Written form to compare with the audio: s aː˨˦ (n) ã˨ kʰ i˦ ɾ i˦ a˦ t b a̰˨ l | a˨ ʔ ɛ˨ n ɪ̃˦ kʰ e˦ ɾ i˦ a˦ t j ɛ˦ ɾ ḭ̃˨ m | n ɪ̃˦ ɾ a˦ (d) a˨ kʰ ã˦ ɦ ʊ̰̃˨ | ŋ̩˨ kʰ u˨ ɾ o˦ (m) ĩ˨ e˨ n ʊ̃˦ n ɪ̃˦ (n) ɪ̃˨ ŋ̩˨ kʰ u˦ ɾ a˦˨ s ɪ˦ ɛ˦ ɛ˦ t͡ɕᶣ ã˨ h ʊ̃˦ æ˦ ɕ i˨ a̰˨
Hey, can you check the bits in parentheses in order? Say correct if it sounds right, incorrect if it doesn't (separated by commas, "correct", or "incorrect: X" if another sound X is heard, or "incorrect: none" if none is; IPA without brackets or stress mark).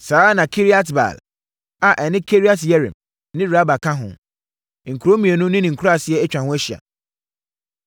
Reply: correct, incorrect: b, correct, correct